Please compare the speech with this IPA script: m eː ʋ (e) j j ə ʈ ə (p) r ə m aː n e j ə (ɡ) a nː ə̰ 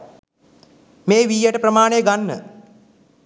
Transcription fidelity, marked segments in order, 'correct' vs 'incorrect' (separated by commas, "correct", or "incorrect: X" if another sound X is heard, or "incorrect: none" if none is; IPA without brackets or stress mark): incorrect: i, correct, correct